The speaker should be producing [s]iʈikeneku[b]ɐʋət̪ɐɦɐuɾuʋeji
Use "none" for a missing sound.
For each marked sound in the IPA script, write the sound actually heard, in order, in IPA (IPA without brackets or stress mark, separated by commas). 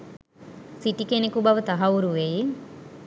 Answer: s, b